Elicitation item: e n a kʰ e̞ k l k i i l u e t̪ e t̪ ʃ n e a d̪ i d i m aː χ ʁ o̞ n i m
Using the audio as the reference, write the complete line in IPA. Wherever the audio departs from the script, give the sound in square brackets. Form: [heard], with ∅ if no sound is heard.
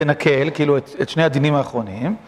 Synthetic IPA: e n a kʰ e̞ [∅] l k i i l u e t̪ e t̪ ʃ n e a d̪ i [n] i m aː χ ʁ o̞ n i m

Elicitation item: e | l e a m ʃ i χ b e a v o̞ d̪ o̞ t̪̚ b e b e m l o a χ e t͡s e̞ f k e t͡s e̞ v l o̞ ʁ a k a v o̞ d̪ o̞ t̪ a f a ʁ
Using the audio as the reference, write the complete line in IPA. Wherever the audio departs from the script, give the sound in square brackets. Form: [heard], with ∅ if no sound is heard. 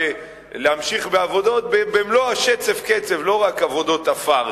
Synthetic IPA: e | l e a m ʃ i χ b e a v o̞ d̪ o̞ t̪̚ b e b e m l o a [ʃ] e t͡s e̞ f k e t͡s e̞ v l o̞ ʁ a k a v o̞ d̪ o̞ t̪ a f a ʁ

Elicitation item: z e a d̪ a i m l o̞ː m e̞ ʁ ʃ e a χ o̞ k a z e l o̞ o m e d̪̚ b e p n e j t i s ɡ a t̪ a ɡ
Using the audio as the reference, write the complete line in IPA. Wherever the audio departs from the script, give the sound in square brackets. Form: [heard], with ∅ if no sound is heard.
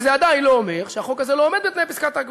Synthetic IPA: z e a d̪ a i [n] l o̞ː m e̞ ʁ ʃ e a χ o̞ k a z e l o̞ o m e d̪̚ b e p n e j [p] i s [k] a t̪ a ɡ

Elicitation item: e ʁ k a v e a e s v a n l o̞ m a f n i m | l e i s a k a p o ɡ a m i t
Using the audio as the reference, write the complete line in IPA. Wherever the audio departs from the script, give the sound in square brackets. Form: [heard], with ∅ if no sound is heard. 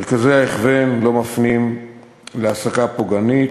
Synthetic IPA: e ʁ k a [z] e a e [χ] v [e] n l o̞ m a f n i m | l e [a] s a k a p o ɡ a [n] i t

